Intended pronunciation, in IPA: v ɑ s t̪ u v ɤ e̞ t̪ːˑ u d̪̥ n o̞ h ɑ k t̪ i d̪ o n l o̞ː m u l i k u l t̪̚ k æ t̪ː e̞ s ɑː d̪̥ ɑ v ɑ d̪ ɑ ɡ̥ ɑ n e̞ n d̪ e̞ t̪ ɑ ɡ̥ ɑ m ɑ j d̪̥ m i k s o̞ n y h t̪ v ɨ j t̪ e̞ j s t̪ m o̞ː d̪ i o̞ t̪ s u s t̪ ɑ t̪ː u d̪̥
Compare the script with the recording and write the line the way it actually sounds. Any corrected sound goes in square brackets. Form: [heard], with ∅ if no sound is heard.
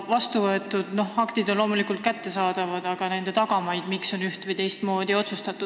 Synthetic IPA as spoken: v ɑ s t̪ u v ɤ e̞ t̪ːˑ u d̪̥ n o̞ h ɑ k t̪ i d̪ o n l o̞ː m u l i k u l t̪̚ k æ t̪ː e̞ s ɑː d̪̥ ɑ v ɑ d̪ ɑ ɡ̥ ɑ n e̞ n d̪ e̞ t̪ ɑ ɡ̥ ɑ m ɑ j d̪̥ m i k s o̞ n y h t̪ v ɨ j t̪ e̞ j s t̪ m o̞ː d̪ i o̞ t̪ s u s t̪ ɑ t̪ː u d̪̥

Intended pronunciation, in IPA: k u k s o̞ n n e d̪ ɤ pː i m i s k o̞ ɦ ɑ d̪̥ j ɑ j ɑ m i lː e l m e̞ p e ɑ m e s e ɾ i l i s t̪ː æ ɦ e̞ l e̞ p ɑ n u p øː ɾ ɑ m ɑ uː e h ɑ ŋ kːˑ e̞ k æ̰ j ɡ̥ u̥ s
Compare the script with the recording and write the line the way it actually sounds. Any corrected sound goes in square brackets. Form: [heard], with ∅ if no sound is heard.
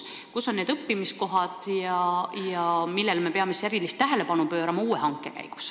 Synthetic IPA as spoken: k u [∅] s o̞ n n e d̪ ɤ pː i m i s k o̞ ɦ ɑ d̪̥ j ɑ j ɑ m i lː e l m e̞ p e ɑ m e s e ɾ i l i s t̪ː æ ɦ e̞ l e̞ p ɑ n u p øː ɾ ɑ m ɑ uː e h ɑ ŋ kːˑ e̞ k æ̰ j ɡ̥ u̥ s

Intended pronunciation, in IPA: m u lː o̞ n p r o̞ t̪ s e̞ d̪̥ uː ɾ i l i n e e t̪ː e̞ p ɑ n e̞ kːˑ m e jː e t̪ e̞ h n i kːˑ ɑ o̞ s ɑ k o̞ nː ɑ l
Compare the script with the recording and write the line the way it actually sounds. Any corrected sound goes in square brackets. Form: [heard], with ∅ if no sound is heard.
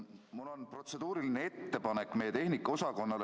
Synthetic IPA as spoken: m u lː o̞ n p r o̞ t̪ s e̞ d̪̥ uː ɾ i l i n e e t̪ː e̞ p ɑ n e̞ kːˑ m e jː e t̪ e̞ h n i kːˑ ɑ o̞ s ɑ k o̞ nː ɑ l

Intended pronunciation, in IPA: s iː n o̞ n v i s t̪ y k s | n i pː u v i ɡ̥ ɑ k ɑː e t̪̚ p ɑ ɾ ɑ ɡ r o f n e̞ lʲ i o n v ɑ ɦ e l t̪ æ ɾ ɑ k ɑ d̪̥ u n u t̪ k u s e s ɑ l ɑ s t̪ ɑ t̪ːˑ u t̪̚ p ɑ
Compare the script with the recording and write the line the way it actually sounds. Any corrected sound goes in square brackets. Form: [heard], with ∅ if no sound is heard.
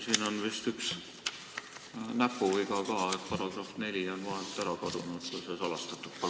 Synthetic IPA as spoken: s iː n o̞ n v i s t̪ y k s | n [æ] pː u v i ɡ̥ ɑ k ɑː e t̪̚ p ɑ ɾ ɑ ɡ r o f n e̞ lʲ i o n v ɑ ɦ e l t̪ æ ɾ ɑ k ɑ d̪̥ u n u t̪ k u s e s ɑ l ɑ s t̪ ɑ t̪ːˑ u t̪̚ p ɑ

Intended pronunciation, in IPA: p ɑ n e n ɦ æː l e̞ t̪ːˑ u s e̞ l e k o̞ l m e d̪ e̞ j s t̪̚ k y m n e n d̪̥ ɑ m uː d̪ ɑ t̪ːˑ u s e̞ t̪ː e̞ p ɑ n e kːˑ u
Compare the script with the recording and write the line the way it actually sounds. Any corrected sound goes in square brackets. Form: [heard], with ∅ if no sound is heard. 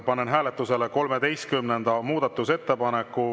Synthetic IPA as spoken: p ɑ n e n ɦ æː l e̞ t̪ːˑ u s e̞ l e k o̞ l m e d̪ e̞ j s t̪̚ k y m n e n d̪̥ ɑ m uː d̪ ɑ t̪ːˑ u s e̞ t̪ː e̞ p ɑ n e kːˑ u

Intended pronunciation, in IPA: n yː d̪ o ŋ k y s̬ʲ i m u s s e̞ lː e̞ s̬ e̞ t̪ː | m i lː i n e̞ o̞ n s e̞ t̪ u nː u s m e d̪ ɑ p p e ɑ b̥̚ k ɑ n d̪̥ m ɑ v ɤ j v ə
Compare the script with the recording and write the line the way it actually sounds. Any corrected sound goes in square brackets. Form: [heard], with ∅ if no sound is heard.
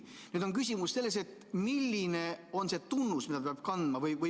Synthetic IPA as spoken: n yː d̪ o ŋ k y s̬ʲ i m u s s e̞ lː e̞ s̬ e̞ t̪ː | m i lː i n e̞ o̞ n s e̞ t̪ u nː u s m [i] d̪ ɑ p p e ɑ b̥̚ k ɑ n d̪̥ m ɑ v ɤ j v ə

